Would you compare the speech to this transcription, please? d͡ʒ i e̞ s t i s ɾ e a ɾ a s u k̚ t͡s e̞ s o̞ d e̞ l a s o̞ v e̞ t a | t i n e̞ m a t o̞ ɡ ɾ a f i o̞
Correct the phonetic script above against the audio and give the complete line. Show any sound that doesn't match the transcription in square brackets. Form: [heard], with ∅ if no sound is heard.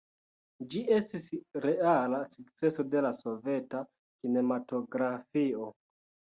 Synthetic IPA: d͡ʒ i e̞ s t i s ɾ e a [l] a s u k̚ t͡s e̞ s o̞ d e̞ l a s o̞ v e̞ t a | [k] i n e̞ m a t o̞ ɡ ɾ a f i o̞